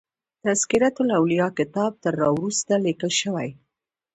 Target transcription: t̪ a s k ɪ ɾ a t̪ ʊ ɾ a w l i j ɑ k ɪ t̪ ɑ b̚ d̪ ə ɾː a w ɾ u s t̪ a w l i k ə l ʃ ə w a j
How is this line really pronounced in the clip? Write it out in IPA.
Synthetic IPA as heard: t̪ a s k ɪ ɾ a t̪ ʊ l a w l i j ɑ k ɪ t̪ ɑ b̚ t̪ ə ɾː ɑ w ɾ u s t̪ a l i k ə l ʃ ə w a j